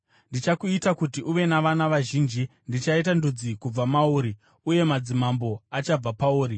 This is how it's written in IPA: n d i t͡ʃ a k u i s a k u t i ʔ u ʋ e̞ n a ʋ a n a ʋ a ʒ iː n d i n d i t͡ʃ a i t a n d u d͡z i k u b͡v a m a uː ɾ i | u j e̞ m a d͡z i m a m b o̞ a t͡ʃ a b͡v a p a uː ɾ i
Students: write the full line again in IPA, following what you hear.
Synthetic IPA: n d i t͡ʃ a k u i t a k u t i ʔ u ʋ e̞ n a ʋ a n a ʋ a ʒ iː n d͡ʒ i n d i t͡ʃ a i t a n d u d͡z i k u b͡v a m a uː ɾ i | u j e̞ m a d͡z i m a m b o̞ a t͡ʃ a b͡v a p a uː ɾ i